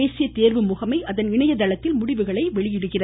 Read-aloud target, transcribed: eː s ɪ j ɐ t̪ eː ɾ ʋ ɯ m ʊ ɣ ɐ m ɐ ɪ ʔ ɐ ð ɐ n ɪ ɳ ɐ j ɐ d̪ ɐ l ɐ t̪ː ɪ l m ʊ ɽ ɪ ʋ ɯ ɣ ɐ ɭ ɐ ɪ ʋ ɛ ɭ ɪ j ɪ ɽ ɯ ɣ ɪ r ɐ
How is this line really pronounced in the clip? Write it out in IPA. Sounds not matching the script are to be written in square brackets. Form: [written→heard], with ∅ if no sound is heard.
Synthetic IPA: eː s ɪ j ɐ t̪ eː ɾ ʋ ɯ m ʊ ɣ ɐ m ɐ ɪ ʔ ɐ ð ɐ n ɪ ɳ ɐ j ɐ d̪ ɐ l ɐ t̪ː ɪ l m ʊ ɽ ɪ ʋ ɯ ɣ ɐ ɭ ɐ ɪ ʋ ɛ ɭ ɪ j ɪ ɽ ɯ ɣ ɪ r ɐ